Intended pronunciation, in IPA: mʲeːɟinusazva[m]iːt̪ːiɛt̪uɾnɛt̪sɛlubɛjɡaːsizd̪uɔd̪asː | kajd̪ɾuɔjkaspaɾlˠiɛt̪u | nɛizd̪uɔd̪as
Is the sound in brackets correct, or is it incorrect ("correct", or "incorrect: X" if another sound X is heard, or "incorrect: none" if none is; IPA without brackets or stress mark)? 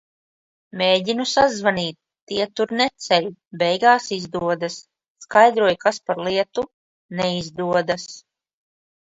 incorrect: n